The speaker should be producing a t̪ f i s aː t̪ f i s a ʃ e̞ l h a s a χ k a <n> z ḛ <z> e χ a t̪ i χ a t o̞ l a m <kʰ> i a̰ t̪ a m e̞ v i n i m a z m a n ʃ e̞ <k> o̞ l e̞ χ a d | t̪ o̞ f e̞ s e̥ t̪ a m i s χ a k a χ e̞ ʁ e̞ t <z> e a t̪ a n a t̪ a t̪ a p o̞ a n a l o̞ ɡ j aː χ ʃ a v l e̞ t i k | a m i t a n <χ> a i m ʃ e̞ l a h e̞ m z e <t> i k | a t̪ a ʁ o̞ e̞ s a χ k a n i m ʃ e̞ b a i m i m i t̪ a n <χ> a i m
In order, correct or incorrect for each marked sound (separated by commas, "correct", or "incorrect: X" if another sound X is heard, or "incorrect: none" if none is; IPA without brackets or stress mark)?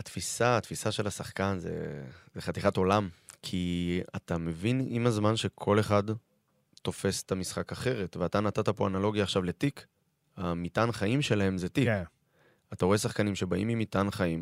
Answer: correct, correct, correct, incorrect: kʰ, incorrect: v, correct, correct, correct